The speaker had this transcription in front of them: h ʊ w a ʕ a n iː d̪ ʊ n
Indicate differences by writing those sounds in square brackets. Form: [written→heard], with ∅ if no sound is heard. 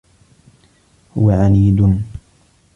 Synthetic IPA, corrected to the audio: h ʊ w a ʕ a n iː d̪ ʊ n